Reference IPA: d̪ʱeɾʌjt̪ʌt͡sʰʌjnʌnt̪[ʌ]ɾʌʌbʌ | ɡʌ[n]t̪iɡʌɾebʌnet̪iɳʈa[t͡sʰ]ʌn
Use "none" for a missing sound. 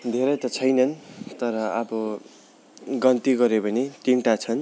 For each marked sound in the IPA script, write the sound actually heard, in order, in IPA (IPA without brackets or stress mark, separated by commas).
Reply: ʌ, n, t͡sʰ